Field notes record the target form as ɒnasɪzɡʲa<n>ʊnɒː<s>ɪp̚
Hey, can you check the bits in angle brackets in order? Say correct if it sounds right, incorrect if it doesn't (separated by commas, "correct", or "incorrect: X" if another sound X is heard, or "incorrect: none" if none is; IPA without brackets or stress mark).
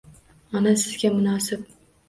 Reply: incorrect: m, correct